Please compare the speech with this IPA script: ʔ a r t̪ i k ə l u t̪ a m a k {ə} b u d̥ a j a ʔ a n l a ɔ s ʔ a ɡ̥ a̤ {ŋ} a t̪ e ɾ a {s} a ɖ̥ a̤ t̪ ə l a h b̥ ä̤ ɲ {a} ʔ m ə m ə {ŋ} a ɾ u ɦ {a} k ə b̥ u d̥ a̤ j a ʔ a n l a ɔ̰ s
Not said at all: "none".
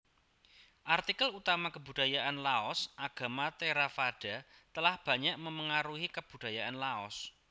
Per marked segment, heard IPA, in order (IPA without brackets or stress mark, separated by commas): ə, m, f, a, ŋ, i